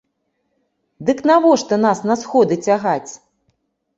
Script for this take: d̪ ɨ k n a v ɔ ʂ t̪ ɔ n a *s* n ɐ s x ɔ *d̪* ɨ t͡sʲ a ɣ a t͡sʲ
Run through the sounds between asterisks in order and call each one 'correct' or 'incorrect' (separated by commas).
correct, correct